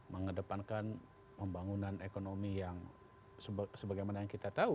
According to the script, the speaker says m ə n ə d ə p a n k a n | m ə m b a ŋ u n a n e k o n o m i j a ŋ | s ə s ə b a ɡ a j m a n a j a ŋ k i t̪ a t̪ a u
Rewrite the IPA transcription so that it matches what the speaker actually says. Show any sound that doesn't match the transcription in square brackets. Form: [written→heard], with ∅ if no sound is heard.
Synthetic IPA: m ə [n→ŋ] ə d ə p a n k a n | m ə m b a ŋ u n a n e k o n o m i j a ŋ | s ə s ə b a ɡ a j m a n a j a ŋ k i t̪ a t̪ a u